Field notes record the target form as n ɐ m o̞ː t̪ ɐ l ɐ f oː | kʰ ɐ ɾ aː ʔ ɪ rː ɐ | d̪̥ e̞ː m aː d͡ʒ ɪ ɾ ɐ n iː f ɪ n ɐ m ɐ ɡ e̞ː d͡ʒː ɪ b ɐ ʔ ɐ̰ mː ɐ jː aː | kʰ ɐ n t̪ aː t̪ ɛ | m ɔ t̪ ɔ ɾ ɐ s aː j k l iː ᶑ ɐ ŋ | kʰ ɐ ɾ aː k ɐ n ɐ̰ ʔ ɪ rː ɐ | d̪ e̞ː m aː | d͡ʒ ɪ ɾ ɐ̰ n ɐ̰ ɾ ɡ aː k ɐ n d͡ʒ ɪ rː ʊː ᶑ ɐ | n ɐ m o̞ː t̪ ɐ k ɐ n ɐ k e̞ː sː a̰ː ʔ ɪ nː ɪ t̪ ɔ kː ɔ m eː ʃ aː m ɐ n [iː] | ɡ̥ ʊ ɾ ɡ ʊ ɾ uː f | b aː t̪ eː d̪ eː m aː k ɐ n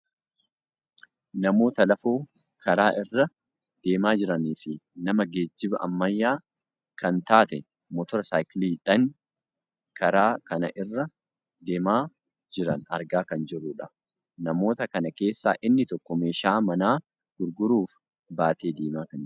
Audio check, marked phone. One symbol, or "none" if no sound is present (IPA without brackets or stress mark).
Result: aː